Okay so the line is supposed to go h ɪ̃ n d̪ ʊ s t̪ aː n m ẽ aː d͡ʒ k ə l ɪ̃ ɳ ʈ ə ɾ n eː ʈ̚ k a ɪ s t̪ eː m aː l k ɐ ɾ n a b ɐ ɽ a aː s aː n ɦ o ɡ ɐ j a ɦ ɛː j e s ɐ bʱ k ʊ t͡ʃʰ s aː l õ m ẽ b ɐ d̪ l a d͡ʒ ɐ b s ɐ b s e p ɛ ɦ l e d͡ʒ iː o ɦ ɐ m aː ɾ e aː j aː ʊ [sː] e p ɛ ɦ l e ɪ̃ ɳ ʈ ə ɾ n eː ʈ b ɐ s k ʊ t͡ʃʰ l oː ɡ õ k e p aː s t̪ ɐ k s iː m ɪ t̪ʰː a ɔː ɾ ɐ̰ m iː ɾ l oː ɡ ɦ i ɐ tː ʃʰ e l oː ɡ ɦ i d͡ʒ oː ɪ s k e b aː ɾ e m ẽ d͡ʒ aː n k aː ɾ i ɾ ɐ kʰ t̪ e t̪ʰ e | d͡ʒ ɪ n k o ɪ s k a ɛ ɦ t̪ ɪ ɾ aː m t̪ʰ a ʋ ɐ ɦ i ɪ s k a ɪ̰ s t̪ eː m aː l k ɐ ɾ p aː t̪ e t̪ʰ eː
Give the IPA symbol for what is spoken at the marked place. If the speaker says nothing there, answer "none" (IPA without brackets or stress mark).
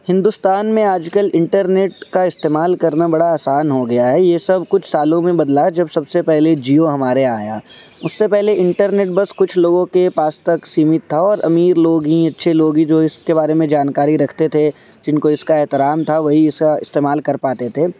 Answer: sː